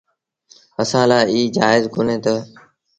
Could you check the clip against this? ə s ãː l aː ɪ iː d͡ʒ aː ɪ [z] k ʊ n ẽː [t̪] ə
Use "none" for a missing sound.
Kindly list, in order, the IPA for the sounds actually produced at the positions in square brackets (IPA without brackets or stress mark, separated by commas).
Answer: z, t̪